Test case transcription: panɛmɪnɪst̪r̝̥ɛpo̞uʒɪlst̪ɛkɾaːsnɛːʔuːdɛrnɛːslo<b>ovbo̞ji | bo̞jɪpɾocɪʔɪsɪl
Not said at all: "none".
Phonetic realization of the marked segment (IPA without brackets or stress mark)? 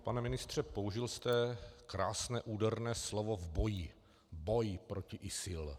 v